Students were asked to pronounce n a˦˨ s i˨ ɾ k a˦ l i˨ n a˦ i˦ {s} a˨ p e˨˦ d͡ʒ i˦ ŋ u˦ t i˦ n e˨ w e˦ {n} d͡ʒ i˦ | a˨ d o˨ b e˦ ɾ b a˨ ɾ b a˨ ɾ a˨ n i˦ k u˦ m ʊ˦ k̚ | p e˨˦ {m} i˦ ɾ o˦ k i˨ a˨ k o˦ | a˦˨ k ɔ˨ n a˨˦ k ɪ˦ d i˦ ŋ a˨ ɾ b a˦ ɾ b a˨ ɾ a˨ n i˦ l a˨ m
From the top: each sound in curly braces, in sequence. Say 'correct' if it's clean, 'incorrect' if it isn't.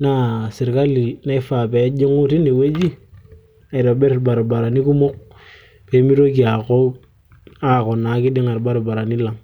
incorrect: f, incorrect: none, correct

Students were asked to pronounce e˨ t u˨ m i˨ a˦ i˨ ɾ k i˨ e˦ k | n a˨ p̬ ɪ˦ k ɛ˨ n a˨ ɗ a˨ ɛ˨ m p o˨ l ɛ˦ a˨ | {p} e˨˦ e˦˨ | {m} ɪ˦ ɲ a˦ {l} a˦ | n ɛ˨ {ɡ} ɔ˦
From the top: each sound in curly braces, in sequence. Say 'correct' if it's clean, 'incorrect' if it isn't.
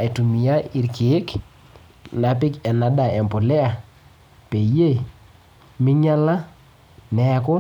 correct, correct, correct, incorrect: k

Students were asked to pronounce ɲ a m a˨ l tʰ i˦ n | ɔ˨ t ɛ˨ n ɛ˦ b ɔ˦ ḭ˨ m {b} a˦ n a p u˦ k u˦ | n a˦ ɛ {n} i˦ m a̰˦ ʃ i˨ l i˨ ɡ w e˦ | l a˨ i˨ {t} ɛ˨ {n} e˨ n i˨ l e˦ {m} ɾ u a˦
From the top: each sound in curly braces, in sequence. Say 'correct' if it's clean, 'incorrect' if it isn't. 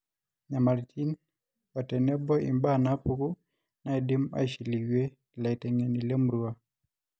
correct, incorrect: d, correct, incorrect: ŋ, correct

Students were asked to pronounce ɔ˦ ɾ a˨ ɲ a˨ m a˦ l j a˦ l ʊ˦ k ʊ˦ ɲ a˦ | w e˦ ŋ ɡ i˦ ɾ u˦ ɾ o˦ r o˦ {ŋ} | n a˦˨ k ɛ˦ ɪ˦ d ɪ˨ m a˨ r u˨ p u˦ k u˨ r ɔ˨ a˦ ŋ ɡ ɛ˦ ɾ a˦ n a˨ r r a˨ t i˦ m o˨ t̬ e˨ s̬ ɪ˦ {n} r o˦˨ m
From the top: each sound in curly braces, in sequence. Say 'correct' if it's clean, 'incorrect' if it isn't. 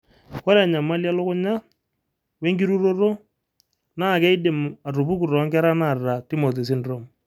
incorrect: none, correct

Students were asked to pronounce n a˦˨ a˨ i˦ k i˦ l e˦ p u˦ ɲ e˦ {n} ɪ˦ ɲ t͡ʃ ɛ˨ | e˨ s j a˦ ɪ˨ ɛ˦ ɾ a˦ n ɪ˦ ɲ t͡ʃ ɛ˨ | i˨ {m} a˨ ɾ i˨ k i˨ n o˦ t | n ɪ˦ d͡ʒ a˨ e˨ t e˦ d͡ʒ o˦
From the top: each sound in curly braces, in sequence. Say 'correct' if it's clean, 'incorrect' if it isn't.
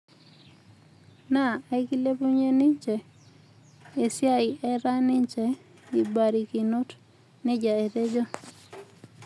correct, incorrect: b

